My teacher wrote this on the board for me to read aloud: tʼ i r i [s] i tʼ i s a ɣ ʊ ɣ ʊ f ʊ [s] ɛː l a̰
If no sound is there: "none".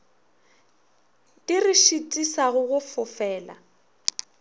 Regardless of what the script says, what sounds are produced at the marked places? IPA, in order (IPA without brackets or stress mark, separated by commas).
ʃ, f